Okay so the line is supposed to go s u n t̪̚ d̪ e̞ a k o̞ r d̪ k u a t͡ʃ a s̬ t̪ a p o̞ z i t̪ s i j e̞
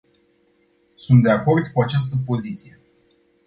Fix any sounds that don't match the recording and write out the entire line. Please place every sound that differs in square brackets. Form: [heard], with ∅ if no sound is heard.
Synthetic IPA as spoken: s u n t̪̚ d̪ e̞ a k o̞ r d̪ k u a t͡ʃ a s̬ t̪ [ə] p o̞ z i t̪ s i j e̞